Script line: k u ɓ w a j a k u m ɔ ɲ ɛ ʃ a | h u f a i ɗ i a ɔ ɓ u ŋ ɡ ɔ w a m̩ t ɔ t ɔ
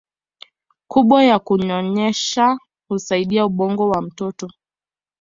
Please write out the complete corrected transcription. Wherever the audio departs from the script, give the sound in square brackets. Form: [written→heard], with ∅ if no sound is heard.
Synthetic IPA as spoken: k u ɓ w a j a k u [m→ɲ] ɔ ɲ ɛ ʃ a | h u [f→s] a i ɗ i a [ɔ→u] ɓ [u→ɔ] ŋ ɡ ɔ w a m̩ t ɔ t ɔ